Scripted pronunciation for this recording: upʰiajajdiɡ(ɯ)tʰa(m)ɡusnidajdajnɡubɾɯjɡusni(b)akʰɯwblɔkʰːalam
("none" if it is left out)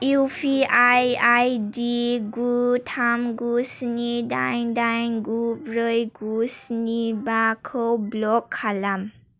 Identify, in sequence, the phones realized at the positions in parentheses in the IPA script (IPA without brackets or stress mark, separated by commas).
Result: u, m, b